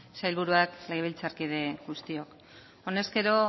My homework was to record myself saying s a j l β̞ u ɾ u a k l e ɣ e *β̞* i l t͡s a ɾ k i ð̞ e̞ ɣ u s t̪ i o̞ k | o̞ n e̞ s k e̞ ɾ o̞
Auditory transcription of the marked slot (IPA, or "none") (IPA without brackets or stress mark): β̞